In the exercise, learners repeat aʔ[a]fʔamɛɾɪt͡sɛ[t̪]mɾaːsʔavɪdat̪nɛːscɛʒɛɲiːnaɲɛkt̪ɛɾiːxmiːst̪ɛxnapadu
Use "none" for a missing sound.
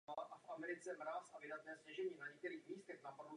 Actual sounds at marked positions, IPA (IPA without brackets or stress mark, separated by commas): a, none